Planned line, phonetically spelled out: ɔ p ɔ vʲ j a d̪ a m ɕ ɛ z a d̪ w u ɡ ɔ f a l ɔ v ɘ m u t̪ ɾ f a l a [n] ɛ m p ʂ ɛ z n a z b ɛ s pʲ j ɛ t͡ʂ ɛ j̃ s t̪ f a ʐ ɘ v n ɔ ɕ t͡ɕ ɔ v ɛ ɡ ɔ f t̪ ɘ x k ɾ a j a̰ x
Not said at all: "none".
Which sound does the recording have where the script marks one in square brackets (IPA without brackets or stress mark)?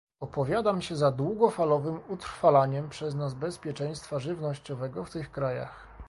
ɲ